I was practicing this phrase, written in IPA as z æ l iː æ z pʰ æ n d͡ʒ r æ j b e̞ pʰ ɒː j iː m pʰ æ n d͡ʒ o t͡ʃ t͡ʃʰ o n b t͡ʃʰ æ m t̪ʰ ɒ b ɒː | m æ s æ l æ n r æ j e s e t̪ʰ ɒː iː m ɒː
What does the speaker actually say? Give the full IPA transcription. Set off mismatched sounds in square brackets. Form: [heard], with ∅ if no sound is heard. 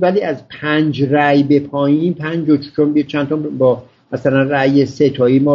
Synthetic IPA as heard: [v] æ l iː æ z pʰ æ n d͡ʒ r æ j b e̞ pʰ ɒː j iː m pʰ æ n d͡ʒ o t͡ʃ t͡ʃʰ o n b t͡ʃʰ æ [n] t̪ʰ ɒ b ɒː | m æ s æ l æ n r æ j e s e t̪ʰ ɒː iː m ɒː